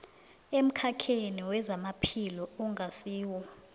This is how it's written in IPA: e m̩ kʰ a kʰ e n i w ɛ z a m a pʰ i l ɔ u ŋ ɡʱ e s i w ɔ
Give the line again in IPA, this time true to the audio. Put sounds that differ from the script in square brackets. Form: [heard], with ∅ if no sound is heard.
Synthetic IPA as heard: e m̩ kʰ a kʰ e n i w ɛ z a m a pʰ i l ɔ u ŋ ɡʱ [a] s [iː] w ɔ